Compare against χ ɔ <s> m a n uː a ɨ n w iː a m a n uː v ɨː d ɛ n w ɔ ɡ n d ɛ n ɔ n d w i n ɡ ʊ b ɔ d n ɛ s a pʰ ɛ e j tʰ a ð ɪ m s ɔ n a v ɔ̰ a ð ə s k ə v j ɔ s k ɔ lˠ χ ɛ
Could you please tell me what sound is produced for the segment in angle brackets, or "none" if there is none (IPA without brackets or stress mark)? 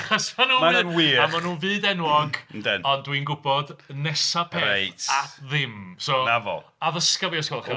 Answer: s